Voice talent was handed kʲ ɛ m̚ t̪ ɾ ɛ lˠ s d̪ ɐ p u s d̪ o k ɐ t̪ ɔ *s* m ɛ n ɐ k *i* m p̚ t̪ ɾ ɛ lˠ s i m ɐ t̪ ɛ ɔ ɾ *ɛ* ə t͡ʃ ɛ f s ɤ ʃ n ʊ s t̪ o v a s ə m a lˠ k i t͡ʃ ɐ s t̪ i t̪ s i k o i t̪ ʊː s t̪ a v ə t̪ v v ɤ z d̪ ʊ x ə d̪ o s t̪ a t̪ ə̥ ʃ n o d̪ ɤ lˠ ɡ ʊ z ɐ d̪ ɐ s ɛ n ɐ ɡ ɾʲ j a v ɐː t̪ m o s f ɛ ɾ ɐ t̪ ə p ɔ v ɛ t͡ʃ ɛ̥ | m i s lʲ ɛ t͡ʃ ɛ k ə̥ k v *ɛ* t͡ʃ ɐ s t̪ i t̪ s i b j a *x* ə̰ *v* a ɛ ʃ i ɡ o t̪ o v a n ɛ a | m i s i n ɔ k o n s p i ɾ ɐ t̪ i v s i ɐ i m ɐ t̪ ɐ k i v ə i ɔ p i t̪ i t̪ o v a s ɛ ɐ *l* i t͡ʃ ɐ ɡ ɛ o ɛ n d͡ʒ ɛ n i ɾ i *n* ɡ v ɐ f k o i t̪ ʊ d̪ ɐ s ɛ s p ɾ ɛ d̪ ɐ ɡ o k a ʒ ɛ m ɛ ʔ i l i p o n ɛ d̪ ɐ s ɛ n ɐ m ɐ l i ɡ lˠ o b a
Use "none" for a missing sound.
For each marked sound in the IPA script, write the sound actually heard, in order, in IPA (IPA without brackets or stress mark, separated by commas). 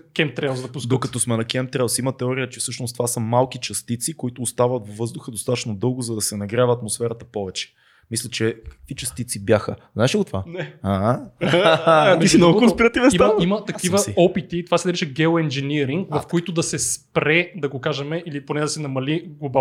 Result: s, ɛ, i, i, x, z, ɾ, ŋ